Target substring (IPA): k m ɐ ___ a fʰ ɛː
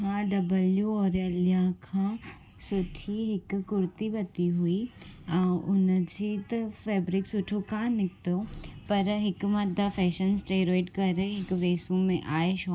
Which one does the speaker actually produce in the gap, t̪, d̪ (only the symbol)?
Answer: d̪